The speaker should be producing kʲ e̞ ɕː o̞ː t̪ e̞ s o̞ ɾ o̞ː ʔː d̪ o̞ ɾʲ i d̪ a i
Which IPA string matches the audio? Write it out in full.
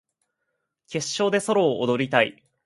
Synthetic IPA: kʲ e̞ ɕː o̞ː d̪ e̞ s o̞ ɾ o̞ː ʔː d̪ o̞ ɾʲ i t̪ a i